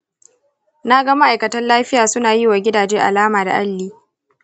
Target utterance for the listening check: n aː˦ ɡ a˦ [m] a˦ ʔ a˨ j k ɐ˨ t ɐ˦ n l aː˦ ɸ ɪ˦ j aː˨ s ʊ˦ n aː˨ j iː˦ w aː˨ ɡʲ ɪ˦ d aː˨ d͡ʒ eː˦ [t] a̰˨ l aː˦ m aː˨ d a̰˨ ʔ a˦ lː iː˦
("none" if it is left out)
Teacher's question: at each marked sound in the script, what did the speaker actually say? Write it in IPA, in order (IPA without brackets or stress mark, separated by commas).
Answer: m, ʔ